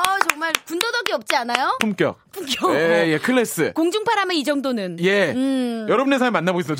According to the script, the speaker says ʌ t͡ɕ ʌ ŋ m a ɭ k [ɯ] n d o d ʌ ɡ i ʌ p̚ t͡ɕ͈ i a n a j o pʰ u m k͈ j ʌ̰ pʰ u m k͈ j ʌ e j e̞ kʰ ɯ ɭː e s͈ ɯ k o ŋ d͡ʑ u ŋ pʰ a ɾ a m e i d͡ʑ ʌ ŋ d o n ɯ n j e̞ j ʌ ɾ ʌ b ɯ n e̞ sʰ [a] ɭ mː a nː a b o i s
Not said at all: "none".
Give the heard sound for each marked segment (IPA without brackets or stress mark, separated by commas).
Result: u, a